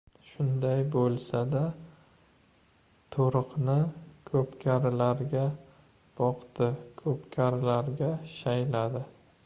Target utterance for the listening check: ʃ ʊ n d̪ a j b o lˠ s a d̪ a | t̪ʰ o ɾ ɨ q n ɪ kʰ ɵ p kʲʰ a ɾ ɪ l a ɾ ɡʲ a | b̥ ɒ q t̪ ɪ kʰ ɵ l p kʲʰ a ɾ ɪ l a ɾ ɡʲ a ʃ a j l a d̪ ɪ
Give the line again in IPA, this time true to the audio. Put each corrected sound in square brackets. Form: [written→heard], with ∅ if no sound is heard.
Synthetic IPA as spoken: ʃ ʊ n d̪ a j b o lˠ s a d̪ a | t̪ʰ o ɾ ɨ q n ɪ kʰ ɵ p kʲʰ a ɾ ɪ l a ɾ ɡʲ a | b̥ ɒ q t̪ ɪ kʰ ɵ [l→∅] p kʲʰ a ɾ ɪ l a ɾ ɡʲ a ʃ a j l a d̪ ɪ

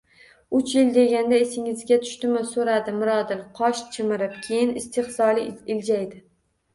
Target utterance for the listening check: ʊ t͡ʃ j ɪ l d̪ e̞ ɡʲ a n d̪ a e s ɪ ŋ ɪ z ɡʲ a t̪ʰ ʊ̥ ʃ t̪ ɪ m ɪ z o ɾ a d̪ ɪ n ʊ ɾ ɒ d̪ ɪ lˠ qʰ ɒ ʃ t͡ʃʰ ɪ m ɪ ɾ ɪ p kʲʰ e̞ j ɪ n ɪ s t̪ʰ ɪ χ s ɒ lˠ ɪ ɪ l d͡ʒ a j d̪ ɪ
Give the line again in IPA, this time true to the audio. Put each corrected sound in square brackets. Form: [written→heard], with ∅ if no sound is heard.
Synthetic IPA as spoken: ʊ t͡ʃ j ɪ l d̪ e̞ ɡʲ a n d̪ a e s ɪ ŋ ɪ z ɡʲ a t̪ʰ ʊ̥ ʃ t̪ ɪ m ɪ [z→s] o ɾ a d̪ ɪ [n→m] ʊ ɾ ɒ d̪ ɪ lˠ qʰ ɒ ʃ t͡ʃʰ ɪ m ɪ ɾ ɪ p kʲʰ e̞ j ɪ n ɪ s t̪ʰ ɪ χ s ɒ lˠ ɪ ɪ l d͡ʒ a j d̪ ɪ

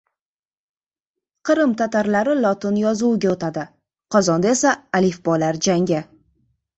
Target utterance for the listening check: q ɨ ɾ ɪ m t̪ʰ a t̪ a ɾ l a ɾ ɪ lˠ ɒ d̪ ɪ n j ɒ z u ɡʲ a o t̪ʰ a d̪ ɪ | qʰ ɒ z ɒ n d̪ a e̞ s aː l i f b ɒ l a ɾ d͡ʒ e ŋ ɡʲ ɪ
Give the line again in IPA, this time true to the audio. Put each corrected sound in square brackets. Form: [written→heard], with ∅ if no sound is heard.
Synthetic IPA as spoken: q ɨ ɾ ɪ m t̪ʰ a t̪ a ɾ l a ɾ ɪ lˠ ɒ [d̪→t̪] ɪ n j ɒ z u ɡʲ a o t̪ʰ a d̪ ɪ | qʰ ɒ z ɒ n d̪ a e̞ s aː l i f b ɒ l a ɾ d͡ʒ [e→a] ŋ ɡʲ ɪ

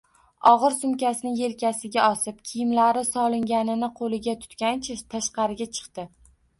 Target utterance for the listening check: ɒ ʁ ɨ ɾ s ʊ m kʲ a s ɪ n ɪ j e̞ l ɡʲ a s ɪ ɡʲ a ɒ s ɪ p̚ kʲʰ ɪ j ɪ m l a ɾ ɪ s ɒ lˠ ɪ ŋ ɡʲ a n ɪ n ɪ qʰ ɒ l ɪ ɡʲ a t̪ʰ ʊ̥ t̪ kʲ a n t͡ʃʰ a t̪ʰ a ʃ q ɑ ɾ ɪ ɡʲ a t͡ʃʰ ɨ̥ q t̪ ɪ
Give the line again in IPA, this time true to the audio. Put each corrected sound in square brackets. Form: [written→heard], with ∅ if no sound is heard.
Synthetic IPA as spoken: ɒ ʁ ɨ ɾ s ʊ m kʲ a s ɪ n ɪ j e̞ l [ɡʲ→kʲ] a s ɪ ɡʲ a ɒ s ɪ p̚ kʲʰ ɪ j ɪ m l a ɾ ɪ s ɒ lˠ ɪ ŋ ɡʲ a n ɪ n ɪ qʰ [ɒ→o] l ɪ ɡʲ a t̪ʰ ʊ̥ t̪ kʲ a n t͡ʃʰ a t̪ʰ a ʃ q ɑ ɾ ɪ ɡʲ a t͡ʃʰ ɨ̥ q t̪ ɪ

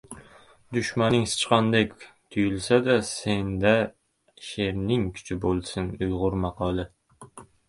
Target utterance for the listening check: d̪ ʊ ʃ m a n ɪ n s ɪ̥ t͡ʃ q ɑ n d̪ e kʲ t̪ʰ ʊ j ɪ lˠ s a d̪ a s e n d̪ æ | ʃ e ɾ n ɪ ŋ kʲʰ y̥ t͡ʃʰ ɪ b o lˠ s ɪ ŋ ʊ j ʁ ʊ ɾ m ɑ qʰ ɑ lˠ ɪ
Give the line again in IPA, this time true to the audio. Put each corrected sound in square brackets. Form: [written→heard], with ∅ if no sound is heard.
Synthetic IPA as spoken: d̪ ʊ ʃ m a n ɪ [n→ŋ] s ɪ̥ t͡ʃ q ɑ n d̪ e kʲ t̪ʰ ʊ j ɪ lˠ s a d̪ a s e n d̪ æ | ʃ e ɾ n ɪ ŋ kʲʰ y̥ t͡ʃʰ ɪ b o lˠ s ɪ [ŋ→n] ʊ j ʁ ʊ ɾ m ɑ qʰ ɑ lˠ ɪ

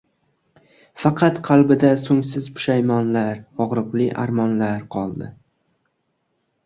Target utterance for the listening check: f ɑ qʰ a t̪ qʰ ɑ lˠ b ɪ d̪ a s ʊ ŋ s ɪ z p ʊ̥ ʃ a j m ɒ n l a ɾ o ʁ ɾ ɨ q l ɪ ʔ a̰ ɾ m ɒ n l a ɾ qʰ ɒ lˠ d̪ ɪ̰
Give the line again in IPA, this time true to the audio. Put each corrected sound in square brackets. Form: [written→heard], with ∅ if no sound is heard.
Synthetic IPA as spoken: f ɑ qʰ [a→ɑ] t̪ qʰ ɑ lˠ b ɪ d̪ a s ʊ ŋ s ɪ z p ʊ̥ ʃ a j m ɒ n l a ɾ [o→ɒ] ʁ ɾ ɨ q l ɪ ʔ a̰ ɾ m ɒ n l a ɾ qʰ ɒ lˠ d̪ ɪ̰

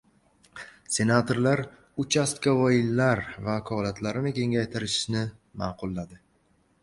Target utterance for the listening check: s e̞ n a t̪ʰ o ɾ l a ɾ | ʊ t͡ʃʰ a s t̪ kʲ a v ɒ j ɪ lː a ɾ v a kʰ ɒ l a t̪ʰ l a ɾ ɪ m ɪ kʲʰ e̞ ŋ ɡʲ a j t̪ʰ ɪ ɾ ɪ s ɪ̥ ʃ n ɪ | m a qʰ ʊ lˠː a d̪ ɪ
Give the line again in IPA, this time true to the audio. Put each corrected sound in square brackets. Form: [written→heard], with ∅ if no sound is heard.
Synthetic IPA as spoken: s e̞ n a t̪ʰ o ɾ l a ɾ | ʊ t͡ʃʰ a s t̪ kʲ a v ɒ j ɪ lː a ɾ v a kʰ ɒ l a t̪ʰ l a ɾ ɪ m ɪ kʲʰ e̞ ŋ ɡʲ a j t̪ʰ ɪ ɾ ɪ [s→ʃ] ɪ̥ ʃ n ɪ | m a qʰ ʊ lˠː a d̪ ɪ

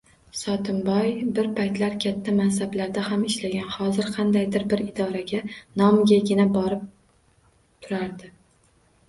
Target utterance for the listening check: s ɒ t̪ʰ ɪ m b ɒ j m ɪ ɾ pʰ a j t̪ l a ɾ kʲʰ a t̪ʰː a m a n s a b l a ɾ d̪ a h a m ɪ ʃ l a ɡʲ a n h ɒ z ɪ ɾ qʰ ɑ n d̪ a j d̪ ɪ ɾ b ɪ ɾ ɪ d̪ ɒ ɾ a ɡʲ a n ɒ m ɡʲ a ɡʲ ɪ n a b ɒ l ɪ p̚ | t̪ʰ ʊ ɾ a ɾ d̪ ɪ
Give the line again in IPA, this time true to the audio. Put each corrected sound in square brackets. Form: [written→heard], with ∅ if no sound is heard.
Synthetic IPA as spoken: s ɒ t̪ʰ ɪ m b ɒ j [m→b] ɪ ɾ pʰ a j t̪ l a ɾ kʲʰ a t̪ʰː a m a n s a b l a ɾ d̪ a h a m ɪ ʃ l a ɡʲ a n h ɒ z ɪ ɾ qʰ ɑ n d̪ a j d̪ ɪ ɾ b ɪ ɾ ɪ d̪ ɒ ɾ a ɡʲ a n ɒ m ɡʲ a ɡʲ ɪ n a b ɒ [l→ɾ] ɪ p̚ | t̪ʰ ʊ ɾ a ɾ d̪ ɪ

